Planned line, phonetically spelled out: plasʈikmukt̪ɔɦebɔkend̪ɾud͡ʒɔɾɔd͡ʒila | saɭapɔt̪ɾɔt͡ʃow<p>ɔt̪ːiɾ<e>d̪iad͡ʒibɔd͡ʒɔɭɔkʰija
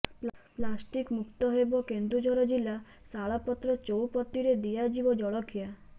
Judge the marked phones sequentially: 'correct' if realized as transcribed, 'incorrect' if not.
correct, correct

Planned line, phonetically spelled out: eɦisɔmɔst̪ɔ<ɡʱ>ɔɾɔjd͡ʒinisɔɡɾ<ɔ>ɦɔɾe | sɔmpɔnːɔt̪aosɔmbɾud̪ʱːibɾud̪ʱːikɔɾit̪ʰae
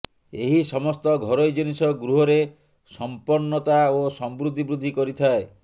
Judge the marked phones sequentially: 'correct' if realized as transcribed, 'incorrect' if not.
correct, incorrect: u

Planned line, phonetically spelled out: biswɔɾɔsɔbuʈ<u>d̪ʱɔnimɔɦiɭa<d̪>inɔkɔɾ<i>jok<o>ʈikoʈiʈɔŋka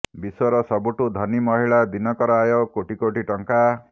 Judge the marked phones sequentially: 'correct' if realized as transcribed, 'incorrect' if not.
correct, correct, incorrect: a, correct

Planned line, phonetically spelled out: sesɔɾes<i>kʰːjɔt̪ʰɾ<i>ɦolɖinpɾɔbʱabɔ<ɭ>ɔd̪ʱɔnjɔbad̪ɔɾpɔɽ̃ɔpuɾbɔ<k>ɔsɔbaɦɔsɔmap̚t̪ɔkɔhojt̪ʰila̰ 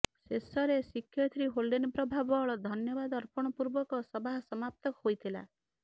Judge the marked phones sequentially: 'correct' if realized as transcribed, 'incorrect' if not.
correct, correct, correct, correct

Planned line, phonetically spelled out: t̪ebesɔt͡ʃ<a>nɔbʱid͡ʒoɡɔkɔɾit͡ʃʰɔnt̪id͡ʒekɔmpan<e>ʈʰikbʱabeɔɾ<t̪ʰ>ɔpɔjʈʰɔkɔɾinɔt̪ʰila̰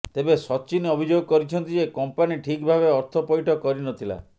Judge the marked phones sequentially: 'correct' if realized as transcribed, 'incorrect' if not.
incorrect: i, incorrect: i, correct

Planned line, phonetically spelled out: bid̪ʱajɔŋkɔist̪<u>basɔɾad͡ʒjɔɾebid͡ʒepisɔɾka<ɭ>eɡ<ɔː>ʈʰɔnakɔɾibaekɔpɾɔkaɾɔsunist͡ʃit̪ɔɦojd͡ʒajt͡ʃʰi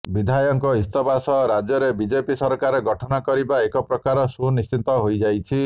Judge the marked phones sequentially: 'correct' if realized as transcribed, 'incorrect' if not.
incorrect: ɔ, incorrect: ɾ, incorrect: ɔ

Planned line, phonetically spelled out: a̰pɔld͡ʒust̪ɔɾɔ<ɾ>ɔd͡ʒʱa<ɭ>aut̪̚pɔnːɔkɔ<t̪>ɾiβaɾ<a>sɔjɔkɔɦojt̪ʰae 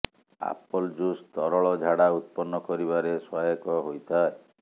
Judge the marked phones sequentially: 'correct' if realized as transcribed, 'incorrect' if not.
incorrect: ɭ, incorrect: ɽ, incorrect: none, incorrect: e

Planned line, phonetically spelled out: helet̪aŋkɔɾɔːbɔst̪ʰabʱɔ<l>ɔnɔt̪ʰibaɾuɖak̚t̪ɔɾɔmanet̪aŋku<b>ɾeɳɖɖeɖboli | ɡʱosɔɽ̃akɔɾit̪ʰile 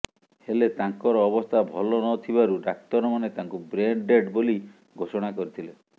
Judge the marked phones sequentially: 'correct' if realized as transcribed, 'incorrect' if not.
correct, correct

